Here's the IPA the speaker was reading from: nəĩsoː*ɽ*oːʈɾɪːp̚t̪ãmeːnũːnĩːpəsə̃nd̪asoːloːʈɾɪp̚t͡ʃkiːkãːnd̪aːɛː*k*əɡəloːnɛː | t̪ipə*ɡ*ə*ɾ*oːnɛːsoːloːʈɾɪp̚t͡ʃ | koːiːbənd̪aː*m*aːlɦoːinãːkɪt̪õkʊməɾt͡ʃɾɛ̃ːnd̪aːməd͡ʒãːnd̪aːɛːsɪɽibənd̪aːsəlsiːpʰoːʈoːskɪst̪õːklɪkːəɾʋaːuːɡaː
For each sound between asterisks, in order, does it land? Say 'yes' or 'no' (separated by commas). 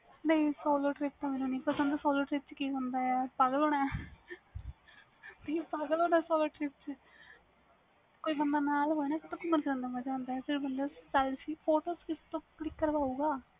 no, no, yes, no, no